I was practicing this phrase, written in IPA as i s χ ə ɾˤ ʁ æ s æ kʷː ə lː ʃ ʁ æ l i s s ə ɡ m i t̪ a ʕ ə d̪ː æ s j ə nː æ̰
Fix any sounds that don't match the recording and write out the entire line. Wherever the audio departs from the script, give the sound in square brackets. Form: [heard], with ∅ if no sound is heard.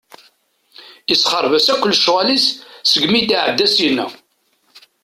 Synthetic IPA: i s χ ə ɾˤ [v] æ s æ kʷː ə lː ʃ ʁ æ l i s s ə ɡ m i t̪ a ʕ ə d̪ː æ s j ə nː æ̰